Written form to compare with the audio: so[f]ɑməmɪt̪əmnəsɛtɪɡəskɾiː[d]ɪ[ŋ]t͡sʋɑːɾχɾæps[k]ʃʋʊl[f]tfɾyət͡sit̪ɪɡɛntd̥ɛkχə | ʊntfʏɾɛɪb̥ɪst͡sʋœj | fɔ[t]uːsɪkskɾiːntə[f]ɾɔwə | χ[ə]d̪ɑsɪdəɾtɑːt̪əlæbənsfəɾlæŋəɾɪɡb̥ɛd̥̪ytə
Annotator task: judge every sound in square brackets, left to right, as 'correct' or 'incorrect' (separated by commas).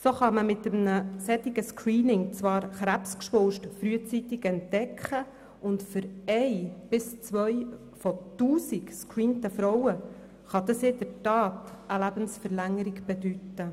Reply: incorrect, incorrect, correct, correct, incorrect, correct, correct, incorrect